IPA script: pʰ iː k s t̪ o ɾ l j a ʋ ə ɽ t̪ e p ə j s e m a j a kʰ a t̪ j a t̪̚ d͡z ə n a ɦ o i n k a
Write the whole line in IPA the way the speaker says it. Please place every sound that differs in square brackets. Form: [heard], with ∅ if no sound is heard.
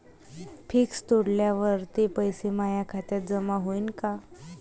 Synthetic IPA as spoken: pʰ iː k s t̪ o [ɽ] l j a ʋ ə [ɾ] t̪ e p ə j s e m a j a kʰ a t̪ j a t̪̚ d͡z ə [m] a ɦ o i n k a